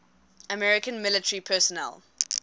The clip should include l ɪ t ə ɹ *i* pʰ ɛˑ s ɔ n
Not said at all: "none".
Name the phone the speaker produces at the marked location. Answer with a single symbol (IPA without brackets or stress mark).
i